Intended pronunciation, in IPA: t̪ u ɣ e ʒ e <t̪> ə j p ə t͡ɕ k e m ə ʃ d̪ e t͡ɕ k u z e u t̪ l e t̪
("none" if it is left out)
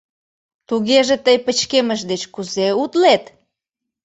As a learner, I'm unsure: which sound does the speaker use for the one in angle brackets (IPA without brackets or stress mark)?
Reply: t̪